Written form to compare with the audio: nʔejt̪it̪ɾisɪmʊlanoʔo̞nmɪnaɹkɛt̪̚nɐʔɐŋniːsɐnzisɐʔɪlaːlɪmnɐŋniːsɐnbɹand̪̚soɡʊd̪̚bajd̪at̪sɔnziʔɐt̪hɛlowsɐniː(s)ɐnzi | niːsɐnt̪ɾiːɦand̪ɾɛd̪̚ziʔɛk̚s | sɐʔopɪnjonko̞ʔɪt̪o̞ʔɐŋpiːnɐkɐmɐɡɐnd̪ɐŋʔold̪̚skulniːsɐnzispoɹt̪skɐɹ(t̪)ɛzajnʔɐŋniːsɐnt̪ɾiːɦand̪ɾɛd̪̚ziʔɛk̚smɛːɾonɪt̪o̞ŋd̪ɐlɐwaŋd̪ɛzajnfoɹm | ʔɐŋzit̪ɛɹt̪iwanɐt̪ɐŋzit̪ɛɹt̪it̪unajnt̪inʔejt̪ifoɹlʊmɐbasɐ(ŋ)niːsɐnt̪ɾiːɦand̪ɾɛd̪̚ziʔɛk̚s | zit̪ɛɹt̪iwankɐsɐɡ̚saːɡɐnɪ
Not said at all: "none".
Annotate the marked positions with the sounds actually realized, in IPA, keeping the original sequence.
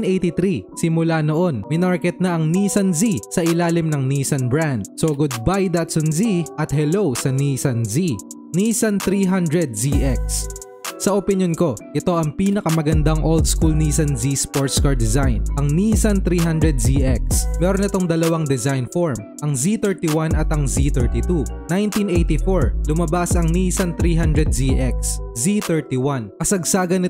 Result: s, d̪, ŋ

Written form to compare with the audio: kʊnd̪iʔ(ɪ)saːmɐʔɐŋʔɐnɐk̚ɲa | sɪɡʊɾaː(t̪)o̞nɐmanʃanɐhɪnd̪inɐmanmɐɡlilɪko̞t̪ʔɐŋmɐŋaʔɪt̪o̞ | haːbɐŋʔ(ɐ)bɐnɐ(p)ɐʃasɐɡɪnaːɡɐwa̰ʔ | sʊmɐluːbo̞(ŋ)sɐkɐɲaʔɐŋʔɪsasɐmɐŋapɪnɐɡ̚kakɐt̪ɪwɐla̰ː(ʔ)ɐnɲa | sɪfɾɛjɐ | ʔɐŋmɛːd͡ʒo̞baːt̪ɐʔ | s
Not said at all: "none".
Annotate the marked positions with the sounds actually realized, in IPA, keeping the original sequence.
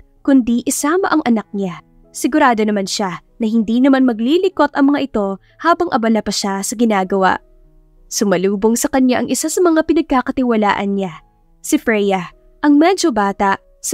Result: ɪ, d̪, ɐ, p, ŋ, ʔ

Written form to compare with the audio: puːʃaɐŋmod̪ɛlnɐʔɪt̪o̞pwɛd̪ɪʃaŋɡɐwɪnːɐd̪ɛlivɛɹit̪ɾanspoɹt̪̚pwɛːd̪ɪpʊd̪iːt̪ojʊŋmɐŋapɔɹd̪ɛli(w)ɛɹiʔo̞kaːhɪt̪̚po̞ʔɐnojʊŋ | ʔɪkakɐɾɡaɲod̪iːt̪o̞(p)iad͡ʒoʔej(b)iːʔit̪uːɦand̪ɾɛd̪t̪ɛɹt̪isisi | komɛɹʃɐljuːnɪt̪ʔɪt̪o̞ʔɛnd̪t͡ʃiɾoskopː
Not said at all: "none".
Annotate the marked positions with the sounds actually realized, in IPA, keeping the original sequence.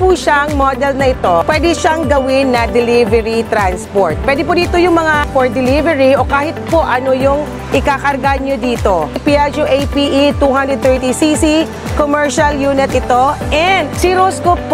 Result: v, p, p

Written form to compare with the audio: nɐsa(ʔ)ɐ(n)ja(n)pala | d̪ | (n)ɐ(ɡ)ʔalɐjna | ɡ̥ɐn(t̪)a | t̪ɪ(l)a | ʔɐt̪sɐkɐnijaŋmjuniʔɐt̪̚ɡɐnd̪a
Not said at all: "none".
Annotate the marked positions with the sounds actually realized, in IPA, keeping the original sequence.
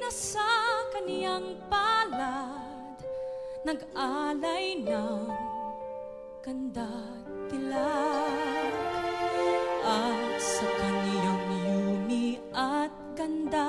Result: k, n, ŋ, n, ɡ, d̪, l

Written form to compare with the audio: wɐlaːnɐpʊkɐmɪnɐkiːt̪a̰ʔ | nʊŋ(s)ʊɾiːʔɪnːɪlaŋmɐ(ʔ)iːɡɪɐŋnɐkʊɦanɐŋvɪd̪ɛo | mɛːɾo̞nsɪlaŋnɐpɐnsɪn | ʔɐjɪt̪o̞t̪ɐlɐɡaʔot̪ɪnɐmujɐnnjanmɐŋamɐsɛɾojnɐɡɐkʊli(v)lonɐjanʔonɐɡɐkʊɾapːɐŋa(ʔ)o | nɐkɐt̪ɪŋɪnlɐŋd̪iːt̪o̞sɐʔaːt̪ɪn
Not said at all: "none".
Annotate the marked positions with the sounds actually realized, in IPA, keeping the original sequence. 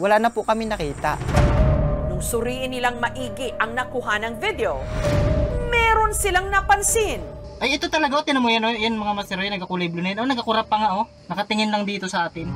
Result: s, ʔ, b, ʔ

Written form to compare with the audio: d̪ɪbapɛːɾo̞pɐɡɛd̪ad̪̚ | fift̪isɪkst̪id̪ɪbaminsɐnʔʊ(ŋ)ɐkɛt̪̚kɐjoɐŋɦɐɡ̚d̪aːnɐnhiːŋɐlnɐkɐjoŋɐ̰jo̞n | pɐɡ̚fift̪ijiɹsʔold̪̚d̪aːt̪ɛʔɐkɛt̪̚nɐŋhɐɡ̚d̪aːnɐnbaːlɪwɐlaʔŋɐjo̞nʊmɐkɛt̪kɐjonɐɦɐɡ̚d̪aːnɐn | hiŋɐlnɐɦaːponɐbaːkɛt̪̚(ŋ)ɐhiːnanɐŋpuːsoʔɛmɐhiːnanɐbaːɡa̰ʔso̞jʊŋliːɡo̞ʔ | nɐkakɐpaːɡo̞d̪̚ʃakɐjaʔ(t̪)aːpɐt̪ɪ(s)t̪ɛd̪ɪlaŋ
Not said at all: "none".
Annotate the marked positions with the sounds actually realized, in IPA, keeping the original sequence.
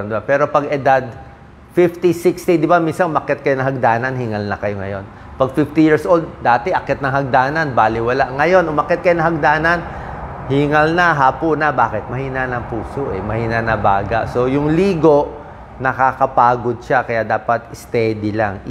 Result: m, m, d̪, s

